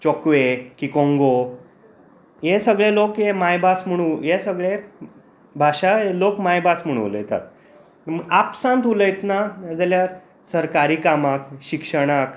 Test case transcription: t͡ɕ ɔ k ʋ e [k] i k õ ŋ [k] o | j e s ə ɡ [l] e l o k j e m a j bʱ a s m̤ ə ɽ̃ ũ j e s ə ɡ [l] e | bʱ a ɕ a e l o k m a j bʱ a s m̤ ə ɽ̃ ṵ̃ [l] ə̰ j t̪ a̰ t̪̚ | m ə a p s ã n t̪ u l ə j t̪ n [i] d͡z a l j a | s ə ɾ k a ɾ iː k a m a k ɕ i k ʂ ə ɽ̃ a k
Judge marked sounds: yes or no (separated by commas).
yes, no, no, no, yes, no